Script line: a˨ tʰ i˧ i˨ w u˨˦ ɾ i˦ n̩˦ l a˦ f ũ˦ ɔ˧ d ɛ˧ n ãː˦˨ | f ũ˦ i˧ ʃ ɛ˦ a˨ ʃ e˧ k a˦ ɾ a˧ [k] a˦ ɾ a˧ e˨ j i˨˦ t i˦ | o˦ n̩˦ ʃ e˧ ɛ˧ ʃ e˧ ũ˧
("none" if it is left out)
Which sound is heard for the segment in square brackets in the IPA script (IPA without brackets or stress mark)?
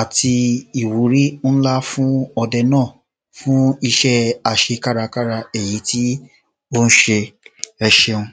k